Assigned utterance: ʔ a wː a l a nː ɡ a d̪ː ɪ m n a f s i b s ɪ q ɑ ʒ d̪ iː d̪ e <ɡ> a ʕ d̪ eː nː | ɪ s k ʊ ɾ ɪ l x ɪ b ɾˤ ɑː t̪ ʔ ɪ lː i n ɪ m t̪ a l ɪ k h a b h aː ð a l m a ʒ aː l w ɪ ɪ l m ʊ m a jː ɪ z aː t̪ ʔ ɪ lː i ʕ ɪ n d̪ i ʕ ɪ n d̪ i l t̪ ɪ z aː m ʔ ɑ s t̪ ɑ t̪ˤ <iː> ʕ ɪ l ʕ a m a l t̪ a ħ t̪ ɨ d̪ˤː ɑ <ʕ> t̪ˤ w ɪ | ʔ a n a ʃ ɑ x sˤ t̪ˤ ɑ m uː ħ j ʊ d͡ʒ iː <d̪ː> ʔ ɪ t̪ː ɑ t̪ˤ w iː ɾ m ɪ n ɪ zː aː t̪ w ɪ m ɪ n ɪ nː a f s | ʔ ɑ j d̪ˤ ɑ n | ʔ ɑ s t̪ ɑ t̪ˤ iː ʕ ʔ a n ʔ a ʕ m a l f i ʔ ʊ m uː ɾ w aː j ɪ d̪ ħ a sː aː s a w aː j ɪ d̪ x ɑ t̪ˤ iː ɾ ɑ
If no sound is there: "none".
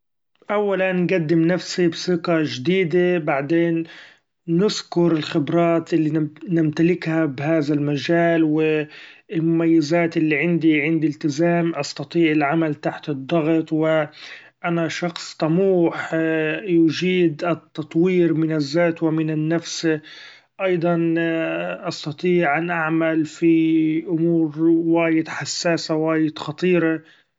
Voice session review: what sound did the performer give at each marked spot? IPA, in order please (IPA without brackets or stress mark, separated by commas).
b, iː, ɣ, d̪